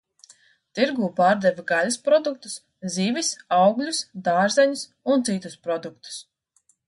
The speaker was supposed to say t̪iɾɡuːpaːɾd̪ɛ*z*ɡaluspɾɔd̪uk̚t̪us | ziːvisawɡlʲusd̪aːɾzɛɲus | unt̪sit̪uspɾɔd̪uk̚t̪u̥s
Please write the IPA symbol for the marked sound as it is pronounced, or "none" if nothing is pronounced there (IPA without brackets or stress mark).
v